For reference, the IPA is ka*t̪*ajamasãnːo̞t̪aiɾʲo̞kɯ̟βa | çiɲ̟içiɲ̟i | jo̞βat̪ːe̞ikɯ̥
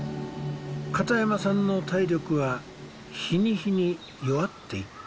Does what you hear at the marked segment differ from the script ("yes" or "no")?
no